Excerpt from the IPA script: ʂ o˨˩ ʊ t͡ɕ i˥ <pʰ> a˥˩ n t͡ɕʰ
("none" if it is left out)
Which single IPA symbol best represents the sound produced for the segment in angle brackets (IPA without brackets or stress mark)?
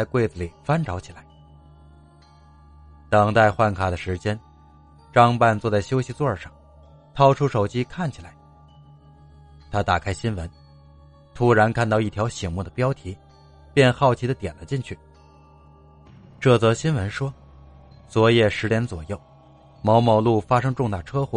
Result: kʰ